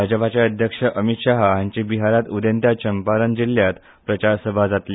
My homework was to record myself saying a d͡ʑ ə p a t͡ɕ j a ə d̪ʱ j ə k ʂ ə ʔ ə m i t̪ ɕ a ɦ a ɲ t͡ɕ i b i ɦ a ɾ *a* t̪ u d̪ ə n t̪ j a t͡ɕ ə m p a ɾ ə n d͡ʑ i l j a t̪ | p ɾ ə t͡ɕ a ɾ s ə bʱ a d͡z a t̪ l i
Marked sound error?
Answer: no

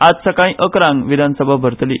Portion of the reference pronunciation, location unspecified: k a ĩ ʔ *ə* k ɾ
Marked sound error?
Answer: no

